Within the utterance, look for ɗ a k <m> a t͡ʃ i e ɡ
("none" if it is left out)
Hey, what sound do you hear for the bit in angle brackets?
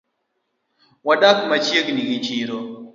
m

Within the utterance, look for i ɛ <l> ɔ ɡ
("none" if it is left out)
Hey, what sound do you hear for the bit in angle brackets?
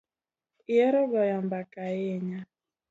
ɾ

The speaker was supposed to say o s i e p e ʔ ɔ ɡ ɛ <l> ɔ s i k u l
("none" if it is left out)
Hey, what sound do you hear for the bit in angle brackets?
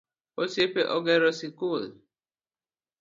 ɾ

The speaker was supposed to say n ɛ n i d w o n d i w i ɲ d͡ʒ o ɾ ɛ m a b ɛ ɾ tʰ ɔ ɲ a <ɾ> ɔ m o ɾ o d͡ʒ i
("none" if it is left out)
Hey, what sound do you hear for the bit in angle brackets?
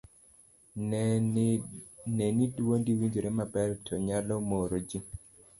l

